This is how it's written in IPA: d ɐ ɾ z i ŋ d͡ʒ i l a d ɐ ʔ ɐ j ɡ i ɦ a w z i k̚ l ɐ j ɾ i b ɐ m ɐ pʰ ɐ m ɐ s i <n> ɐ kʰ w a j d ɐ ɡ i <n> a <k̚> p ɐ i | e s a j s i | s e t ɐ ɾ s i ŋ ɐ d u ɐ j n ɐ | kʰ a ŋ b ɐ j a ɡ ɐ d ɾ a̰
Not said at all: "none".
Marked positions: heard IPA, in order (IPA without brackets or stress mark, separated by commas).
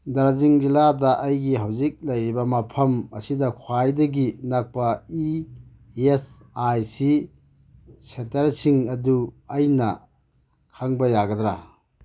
d, n, k̚